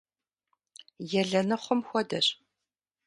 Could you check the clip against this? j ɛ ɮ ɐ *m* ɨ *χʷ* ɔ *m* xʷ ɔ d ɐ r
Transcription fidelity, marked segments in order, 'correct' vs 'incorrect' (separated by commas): incorrect, correct, correct